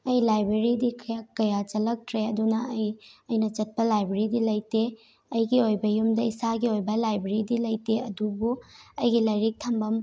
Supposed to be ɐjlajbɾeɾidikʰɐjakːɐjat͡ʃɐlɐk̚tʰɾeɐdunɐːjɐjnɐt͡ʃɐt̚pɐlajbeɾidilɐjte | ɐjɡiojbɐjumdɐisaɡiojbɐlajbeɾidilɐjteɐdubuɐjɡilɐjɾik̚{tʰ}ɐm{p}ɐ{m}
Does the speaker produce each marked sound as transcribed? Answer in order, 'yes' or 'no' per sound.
yes, no, yes

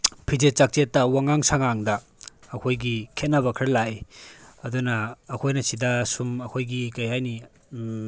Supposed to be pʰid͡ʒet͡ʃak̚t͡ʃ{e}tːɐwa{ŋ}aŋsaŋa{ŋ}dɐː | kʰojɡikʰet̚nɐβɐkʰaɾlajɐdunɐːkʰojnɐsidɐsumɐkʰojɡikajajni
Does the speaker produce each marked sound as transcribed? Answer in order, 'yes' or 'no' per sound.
yes, yes, yes

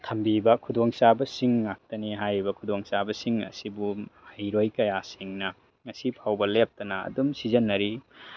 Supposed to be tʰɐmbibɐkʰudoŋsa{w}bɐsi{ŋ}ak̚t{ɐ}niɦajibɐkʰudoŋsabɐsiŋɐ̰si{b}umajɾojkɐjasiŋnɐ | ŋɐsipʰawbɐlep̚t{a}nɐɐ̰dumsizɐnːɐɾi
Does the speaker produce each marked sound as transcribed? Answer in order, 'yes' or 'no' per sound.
no, no, yes, yes, no

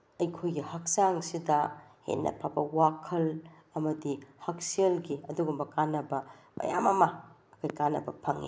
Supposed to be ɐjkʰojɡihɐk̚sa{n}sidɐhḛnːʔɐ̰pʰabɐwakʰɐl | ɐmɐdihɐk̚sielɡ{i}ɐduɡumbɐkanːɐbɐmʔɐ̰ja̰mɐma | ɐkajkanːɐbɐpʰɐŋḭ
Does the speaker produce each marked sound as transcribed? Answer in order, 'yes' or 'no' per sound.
no, yes

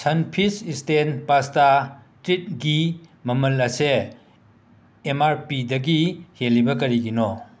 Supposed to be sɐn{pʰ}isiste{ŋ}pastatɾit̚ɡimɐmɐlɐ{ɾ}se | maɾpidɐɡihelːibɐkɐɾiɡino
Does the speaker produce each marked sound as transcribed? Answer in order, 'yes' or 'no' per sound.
yes, no, no

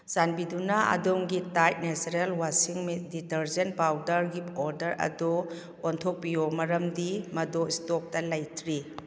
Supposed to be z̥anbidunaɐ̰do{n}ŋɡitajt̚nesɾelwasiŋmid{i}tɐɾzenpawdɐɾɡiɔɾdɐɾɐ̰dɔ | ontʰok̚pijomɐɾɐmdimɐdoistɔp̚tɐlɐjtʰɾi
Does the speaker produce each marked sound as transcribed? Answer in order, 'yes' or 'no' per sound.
no, yes

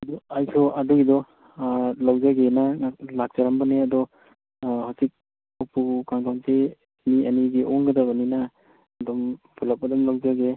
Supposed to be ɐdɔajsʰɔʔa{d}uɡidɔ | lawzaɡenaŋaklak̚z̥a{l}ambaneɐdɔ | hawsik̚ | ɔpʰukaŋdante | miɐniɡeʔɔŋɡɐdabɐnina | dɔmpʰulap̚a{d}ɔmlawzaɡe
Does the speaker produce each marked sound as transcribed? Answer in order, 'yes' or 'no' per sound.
yes, no, yes

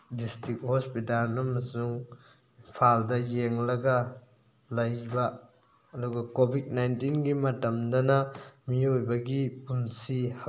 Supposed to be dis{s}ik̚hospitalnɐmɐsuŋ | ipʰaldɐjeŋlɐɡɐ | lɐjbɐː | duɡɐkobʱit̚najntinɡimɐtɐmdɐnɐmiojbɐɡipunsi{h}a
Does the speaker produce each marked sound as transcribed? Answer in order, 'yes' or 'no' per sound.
no, yes

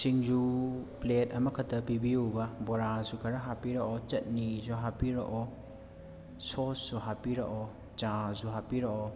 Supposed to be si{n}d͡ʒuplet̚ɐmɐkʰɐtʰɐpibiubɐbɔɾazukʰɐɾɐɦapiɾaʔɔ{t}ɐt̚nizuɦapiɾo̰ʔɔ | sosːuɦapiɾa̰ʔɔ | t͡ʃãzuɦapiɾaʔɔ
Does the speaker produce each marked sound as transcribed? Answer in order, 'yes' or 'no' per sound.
no, no

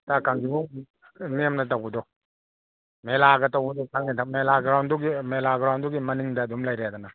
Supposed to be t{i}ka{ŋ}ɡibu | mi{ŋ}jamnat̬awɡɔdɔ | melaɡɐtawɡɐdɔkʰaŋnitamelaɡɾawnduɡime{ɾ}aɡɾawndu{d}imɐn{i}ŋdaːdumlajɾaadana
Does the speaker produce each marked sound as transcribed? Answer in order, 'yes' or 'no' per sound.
no, yes, no, no, no, yes

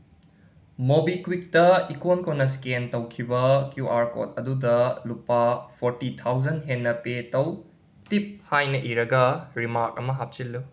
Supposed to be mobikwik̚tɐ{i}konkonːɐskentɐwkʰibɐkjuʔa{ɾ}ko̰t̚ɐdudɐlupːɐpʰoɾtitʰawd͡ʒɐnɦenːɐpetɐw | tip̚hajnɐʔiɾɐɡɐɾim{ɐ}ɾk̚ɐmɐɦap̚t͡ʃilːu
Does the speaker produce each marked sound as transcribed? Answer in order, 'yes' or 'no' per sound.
yes, yes, no

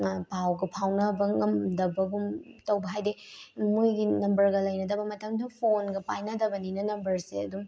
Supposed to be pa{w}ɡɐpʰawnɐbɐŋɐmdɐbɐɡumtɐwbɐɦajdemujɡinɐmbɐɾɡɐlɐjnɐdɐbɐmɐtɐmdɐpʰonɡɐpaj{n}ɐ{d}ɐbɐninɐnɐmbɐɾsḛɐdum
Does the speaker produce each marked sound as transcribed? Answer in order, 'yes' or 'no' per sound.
yes, yes, yes

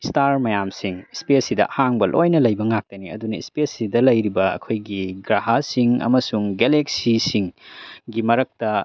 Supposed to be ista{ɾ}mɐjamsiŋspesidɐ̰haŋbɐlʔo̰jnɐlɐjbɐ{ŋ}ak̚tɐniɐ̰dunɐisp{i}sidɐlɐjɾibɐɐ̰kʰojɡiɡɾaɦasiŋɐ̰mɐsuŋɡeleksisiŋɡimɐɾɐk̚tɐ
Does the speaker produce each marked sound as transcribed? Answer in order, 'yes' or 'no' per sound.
yes, yes, no

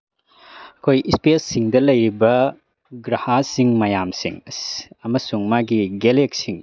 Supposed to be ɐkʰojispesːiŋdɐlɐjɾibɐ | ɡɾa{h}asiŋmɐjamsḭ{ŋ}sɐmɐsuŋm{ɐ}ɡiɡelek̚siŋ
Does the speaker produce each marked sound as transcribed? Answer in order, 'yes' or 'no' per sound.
yes, yes, no

